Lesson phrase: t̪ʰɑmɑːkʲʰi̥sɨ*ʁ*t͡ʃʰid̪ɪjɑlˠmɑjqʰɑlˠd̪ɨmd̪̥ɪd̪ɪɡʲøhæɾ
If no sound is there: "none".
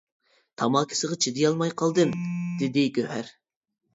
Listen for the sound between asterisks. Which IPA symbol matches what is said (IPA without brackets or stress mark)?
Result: ʁ